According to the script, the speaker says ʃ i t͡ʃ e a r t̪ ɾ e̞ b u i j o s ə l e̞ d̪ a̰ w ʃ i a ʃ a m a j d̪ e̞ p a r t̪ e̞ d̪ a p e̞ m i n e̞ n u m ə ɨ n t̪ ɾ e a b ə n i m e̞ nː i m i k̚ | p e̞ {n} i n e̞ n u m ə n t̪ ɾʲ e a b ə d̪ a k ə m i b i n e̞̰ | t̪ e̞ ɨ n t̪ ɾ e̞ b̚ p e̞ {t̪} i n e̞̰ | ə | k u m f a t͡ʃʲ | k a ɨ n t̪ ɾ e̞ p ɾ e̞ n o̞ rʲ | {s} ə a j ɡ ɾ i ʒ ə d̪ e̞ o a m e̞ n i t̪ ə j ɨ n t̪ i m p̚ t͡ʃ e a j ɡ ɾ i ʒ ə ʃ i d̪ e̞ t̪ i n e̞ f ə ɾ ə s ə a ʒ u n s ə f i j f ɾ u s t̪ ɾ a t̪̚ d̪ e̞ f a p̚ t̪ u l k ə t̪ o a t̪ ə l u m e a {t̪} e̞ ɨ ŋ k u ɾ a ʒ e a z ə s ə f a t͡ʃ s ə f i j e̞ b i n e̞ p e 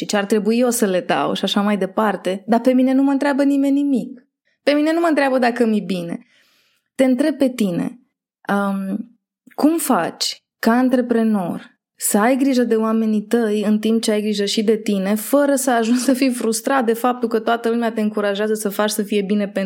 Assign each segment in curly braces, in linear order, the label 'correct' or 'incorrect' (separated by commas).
incorrect, correct, correct, correct